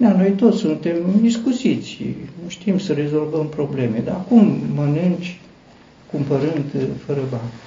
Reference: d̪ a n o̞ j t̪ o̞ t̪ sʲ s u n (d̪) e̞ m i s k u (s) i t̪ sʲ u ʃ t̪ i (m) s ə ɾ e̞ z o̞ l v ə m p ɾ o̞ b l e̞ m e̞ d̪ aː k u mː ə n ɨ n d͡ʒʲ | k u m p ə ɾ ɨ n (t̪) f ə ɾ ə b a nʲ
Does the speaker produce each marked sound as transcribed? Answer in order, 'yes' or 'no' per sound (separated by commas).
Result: no, yes, yes, no